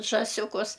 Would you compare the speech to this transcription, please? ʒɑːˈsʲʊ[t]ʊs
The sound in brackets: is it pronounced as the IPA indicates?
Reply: no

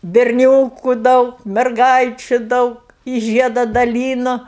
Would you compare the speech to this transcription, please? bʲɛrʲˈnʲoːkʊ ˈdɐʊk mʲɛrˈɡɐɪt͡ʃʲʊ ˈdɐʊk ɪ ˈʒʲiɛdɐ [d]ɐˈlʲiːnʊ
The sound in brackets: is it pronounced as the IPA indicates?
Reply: yes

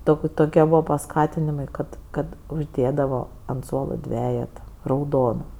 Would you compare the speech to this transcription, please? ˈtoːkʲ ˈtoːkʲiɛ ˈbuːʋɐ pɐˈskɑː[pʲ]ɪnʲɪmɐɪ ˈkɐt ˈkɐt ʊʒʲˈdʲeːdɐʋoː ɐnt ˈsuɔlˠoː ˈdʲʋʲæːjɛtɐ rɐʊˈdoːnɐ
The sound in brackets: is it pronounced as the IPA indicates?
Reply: no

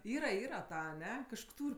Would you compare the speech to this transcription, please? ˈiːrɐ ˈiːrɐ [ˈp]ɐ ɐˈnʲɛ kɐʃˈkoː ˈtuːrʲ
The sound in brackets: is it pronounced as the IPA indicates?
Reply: no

